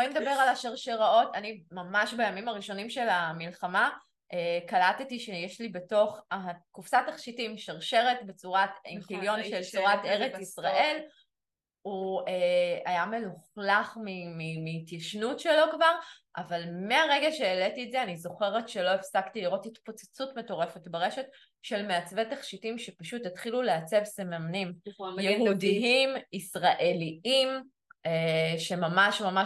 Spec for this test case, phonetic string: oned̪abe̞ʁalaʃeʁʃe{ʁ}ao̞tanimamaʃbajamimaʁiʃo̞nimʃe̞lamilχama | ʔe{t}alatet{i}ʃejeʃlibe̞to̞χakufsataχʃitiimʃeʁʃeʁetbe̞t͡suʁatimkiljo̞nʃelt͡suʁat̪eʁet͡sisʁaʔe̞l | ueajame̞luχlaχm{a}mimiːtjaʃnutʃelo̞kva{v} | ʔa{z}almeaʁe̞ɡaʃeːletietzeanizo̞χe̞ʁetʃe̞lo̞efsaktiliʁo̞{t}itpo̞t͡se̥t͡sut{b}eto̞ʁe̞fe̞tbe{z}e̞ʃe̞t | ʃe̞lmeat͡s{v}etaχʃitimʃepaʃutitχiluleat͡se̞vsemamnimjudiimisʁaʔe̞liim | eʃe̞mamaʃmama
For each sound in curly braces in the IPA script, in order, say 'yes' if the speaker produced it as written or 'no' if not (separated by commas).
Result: yes, no, yes, no, no, no, yes, no, no, yes